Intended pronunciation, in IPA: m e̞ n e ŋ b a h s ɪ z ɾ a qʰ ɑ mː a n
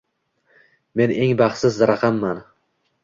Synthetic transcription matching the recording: m e̞ n e ŋ b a χ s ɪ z ɾ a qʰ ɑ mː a n